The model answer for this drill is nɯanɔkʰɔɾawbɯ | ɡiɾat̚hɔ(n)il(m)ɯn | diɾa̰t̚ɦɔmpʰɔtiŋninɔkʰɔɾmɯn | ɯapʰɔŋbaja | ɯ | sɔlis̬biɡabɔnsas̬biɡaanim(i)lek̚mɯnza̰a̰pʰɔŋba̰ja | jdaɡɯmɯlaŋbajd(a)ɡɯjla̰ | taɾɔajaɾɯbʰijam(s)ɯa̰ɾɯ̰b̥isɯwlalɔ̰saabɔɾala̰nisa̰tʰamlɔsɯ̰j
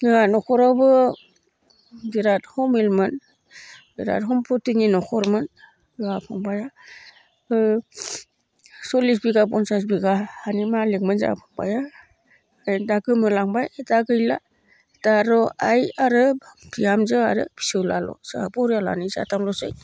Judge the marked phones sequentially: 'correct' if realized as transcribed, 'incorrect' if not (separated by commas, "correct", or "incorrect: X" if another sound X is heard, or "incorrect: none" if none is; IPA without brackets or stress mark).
incorrect: m, correct, incorrect: a, correct, incorrect: z